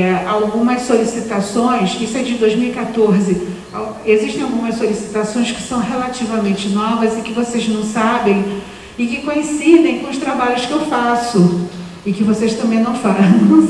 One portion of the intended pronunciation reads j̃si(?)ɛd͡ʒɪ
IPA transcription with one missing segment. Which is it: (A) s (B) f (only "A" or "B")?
A